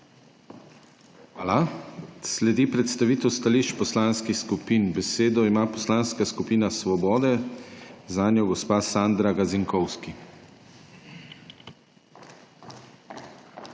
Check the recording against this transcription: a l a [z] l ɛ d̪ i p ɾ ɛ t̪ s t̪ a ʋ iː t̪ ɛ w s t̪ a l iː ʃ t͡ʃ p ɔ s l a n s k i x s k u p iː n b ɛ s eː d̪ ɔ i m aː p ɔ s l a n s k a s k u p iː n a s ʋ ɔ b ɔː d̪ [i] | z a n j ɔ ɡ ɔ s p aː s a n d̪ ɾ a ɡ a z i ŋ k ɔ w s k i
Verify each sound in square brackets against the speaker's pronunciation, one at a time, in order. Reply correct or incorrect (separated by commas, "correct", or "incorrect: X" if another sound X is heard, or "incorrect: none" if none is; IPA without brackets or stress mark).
incorrect: s, incorrect: ɛ